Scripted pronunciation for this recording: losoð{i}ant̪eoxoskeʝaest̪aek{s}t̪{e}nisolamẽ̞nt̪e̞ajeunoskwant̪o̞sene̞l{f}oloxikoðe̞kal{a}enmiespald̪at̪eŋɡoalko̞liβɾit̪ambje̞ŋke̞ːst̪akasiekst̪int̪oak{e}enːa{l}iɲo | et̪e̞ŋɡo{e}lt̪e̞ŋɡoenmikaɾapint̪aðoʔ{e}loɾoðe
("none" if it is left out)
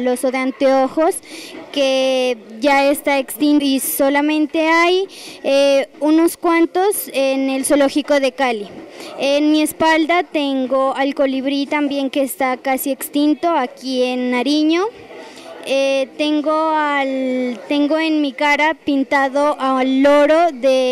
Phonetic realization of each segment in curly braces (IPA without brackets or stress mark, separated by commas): e, s, i, s, i, i, ɾ, a, a